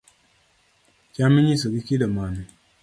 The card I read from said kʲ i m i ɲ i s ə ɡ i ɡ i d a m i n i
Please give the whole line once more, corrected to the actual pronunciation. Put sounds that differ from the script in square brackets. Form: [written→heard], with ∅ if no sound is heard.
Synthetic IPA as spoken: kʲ [i→a] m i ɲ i s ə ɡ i [ɡ→k] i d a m [i→a] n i